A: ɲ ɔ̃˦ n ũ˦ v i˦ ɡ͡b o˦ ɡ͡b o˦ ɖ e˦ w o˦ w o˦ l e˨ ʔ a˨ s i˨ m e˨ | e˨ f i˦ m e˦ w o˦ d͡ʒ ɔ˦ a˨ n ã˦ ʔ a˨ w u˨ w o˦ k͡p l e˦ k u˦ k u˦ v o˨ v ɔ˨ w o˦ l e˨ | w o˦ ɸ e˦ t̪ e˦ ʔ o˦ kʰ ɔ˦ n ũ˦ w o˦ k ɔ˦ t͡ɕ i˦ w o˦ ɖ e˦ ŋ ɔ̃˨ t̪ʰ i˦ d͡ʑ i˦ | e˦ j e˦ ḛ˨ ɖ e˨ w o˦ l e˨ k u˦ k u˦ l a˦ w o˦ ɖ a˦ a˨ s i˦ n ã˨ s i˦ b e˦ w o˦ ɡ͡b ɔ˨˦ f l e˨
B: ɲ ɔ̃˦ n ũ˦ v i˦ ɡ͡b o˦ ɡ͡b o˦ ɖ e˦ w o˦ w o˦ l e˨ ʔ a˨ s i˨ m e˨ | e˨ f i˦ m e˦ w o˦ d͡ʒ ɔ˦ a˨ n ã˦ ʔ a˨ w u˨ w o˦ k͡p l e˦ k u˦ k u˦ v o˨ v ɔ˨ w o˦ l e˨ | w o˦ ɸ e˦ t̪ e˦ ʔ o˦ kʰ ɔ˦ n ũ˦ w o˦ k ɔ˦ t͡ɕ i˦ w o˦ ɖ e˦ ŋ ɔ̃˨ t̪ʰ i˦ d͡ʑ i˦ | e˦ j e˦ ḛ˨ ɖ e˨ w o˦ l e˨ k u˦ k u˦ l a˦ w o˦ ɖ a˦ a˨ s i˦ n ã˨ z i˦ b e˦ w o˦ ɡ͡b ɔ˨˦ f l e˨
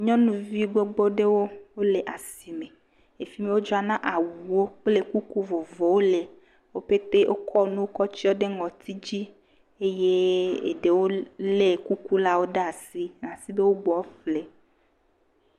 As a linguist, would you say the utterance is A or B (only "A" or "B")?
A